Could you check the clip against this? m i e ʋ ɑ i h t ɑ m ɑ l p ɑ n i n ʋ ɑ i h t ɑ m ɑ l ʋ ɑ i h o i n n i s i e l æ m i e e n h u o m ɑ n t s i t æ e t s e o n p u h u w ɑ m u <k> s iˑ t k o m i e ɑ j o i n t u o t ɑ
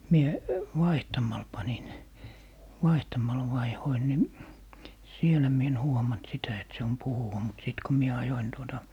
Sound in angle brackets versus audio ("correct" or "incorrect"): incorrect